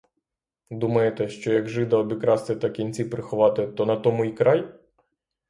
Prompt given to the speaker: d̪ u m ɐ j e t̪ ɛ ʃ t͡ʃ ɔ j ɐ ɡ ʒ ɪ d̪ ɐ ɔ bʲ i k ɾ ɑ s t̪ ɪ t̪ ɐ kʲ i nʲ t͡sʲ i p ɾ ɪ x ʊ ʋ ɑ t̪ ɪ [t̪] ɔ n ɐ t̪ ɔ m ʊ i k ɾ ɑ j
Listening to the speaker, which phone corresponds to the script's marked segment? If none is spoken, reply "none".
t̪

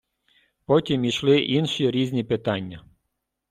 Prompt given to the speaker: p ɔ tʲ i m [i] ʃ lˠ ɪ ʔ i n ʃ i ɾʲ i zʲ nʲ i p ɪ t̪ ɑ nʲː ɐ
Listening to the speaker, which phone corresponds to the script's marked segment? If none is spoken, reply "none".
i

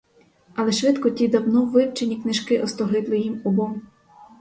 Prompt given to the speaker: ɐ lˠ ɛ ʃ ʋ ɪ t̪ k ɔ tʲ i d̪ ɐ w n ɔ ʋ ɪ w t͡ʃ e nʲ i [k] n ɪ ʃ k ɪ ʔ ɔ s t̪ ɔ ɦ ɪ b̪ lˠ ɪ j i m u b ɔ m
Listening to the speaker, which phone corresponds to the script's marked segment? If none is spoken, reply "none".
k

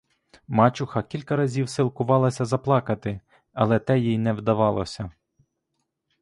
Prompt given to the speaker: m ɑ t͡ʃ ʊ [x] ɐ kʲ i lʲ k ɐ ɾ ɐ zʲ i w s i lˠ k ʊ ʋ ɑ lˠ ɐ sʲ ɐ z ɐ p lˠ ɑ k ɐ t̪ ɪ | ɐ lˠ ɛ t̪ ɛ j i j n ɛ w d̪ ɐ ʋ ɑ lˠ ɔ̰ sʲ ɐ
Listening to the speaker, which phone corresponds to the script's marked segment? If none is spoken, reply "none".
x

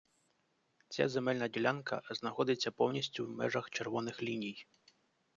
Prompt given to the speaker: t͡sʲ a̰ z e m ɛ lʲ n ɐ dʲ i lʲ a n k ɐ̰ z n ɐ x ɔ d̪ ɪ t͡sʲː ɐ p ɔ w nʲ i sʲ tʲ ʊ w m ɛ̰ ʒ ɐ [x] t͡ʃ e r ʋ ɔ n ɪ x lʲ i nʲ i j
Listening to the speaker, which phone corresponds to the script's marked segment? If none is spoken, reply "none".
x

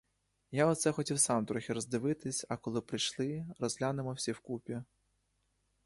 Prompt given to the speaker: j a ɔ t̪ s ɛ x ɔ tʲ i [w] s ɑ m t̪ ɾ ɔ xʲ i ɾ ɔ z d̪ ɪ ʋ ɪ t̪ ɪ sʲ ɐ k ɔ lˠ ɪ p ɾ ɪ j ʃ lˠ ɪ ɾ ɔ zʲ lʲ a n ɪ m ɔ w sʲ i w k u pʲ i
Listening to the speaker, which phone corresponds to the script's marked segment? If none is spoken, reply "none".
w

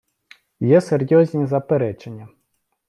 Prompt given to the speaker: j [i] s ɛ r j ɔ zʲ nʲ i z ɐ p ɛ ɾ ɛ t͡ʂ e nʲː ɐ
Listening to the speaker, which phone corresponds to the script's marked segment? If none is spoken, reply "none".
ɛ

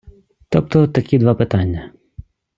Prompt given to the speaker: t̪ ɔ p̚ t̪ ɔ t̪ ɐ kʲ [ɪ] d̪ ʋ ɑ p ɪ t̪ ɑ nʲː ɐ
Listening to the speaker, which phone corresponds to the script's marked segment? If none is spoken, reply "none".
i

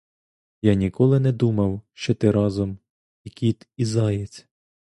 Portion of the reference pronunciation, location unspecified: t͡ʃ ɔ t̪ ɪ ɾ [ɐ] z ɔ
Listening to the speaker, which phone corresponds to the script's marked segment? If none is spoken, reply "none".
ɑ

